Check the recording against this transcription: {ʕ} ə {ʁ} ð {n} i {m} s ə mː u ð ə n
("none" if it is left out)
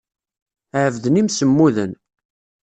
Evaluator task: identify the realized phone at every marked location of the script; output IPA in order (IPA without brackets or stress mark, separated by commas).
ʕ, v, n, m